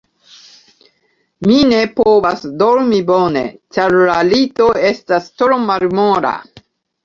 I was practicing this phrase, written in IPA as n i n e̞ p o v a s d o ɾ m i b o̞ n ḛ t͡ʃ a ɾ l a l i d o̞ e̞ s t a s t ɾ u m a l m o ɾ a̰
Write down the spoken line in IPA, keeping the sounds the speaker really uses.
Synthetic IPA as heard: m i n e̞ p o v a s d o ɾ m i b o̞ n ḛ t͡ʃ a ɾ l a l i t o̞ e̞ s t a s t ɾ o m a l m o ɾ a̰